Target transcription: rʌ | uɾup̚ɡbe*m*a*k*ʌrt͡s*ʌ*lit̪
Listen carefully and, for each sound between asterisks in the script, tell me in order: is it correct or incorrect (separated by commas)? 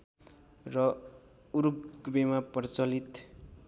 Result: correct, incorrect, correct